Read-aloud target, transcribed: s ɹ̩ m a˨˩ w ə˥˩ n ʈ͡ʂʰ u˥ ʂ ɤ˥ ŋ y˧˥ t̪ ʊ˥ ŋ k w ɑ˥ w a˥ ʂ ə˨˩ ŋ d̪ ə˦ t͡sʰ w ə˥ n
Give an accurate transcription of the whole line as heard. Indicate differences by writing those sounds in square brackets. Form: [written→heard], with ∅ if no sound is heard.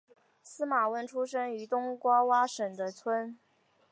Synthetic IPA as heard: s ɹ̩ m a˨˩ w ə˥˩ n ʈ͡ʂʰ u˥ ʂ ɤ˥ ŋ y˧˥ t̪ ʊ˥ ŋ k w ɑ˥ w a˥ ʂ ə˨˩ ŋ d̪ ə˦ t͡sʰ w ə˥ n